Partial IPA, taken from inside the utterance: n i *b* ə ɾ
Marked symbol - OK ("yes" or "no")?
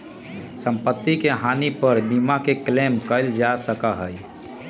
no